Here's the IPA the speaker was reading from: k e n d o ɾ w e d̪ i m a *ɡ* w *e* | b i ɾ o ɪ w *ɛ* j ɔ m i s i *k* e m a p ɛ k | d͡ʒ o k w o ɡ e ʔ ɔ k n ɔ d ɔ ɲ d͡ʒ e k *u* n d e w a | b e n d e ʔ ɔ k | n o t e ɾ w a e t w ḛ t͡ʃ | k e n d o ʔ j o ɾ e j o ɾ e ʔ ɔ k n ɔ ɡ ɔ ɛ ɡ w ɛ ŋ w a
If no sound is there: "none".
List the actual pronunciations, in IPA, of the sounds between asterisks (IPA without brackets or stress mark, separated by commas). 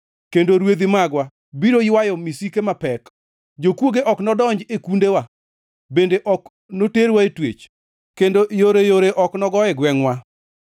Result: ɡ, a, a, k, u